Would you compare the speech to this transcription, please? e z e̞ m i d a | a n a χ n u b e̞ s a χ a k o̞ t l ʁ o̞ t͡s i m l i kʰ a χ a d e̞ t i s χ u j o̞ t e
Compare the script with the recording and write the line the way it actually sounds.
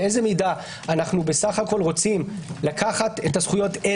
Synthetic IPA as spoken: e z e̞ m i d a | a n a χ n u b e̞ s a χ a k o̞ l ʁ o̞ t͡s i m l a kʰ a χ a t e̞ t a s χ u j o̞ t e